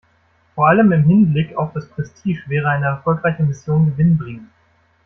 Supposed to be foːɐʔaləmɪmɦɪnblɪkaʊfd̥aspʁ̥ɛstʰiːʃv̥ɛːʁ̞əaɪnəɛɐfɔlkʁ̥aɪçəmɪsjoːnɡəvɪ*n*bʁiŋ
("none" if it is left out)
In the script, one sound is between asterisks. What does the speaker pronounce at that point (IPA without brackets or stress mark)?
n